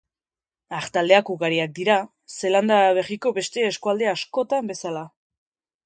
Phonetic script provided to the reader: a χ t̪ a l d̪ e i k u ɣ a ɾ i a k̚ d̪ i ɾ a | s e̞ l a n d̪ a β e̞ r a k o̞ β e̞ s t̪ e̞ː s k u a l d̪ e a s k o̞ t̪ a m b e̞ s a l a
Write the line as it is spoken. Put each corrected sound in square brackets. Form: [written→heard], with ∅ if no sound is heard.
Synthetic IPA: a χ t̪ a l d̪ e [i→a] k u ɣ a ɾ i a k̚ d̪ i ɾ a | s e̞ l a n d̪ a β e̞ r [a→i] k o̞ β e̞ s t̪ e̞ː s k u a l d̪ e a s k o̞ t̪ a m b e̞ s a l a